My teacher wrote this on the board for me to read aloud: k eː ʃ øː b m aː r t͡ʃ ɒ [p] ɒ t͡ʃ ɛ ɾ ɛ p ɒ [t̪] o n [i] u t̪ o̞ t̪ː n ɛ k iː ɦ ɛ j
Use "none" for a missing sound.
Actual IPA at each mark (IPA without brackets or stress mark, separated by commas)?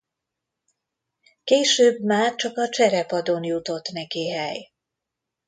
k, d̪, j